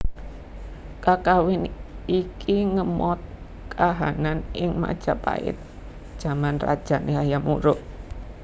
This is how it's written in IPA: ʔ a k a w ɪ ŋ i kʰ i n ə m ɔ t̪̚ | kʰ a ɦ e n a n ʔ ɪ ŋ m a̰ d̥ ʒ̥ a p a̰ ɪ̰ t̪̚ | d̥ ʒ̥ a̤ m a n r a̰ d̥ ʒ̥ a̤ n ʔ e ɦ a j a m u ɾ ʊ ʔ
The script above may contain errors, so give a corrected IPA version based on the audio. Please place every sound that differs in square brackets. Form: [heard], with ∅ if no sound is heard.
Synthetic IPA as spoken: [k] a k a w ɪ [n] i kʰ i [ŋ] ə m ɔ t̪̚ | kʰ a ɦ [a] n a n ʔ ɪ ŋ m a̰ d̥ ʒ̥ a p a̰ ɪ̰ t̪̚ | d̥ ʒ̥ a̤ m a n r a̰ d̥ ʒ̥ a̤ n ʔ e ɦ a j a m u ɾ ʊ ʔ